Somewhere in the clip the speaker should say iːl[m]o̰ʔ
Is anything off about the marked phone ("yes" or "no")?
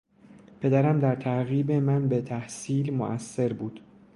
no